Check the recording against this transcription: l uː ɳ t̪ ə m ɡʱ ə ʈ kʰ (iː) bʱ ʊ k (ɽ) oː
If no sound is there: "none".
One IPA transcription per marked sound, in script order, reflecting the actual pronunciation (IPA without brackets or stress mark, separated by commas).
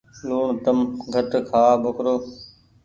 aː, ɾ